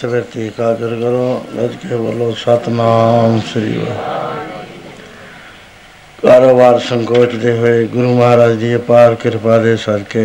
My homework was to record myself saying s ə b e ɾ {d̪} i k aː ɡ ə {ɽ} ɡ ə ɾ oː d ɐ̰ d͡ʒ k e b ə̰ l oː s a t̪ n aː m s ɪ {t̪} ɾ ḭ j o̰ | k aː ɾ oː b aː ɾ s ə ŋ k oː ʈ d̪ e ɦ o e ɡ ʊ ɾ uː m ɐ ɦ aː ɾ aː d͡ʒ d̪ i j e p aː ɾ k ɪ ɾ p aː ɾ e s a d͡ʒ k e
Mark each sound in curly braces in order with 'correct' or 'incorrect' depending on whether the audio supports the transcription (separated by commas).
incorrect, incorrect, incorrect